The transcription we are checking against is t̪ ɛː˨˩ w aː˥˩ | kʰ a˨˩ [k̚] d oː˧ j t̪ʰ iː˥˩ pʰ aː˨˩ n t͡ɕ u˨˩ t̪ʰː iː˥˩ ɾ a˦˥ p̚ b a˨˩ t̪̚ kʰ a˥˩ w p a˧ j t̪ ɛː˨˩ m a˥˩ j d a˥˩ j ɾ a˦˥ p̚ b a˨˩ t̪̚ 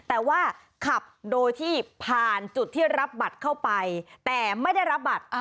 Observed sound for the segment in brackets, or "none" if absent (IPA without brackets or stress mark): p̚